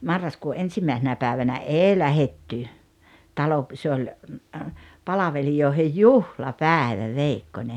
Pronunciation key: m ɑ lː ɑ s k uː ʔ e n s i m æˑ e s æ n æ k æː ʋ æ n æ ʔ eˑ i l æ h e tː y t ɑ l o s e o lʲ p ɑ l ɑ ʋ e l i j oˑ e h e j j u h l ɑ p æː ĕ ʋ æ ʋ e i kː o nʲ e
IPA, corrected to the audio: m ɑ rː ɑ s k uː ʔ e n s i m æˑ e s e n æ p æː ʋ æ n æ ʔ eˑ i l æ h e tː y t ɑ l o s e o lʲ p ɑ l ɑ ʋ e l i j oˑ e h e j j u h l ɑ p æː ĕ ʋ æ ʋ e i kː o nʲ e